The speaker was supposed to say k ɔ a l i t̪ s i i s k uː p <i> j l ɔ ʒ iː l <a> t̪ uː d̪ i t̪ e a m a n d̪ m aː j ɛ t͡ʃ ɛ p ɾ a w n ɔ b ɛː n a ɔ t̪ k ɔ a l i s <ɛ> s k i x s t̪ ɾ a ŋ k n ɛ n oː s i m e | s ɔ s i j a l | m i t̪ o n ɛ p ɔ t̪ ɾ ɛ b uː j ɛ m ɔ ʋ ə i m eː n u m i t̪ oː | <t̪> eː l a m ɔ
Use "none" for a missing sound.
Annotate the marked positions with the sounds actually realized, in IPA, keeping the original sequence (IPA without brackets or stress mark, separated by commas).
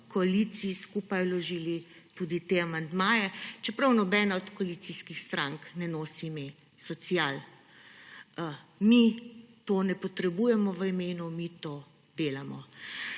a, i, i, d̪